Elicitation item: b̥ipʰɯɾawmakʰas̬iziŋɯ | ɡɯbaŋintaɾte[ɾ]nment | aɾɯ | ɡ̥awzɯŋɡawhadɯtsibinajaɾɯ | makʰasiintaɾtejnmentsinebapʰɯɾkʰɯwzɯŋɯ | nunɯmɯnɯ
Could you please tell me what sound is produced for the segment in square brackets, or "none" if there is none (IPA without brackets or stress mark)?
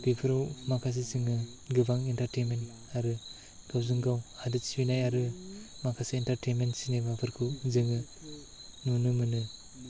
none